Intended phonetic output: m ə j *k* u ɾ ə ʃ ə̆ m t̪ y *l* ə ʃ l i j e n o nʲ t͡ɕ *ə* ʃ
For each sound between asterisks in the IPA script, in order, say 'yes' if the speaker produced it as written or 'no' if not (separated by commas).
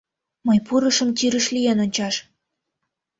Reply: no, no, no